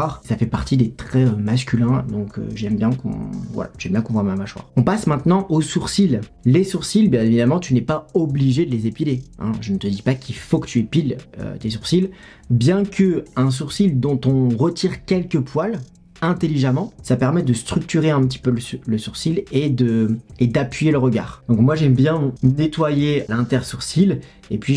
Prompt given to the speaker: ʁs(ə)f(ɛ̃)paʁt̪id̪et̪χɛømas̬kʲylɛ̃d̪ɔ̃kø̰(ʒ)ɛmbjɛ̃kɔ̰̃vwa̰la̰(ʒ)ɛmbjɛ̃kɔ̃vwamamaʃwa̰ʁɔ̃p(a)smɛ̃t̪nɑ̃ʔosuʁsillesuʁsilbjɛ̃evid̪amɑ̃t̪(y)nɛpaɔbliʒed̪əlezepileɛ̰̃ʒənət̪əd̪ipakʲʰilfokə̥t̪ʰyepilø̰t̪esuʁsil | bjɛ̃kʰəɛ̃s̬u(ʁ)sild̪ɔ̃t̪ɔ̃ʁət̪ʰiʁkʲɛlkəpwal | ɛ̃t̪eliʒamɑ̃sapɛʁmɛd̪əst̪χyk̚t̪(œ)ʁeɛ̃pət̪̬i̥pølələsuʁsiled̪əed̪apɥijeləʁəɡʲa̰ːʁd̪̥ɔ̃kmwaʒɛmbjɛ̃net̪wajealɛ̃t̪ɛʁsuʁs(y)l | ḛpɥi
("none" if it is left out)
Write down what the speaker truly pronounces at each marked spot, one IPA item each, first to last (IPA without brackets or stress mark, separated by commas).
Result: a, ɛ, ʒ, ʒ, a, y, ʁ, y, i